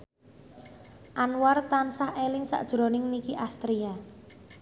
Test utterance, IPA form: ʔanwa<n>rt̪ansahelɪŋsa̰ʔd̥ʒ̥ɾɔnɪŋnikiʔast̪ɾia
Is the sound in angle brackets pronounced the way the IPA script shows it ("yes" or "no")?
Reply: no